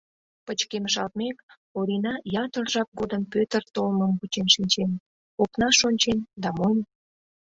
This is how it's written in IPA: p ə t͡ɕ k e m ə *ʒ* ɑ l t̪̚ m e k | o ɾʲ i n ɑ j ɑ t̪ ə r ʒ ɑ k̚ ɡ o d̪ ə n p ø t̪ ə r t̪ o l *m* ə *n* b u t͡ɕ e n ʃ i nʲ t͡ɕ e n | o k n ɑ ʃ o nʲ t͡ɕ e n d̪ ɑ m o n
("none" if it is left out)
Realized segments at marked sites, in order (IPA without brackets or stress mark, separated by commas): ʃ, m, m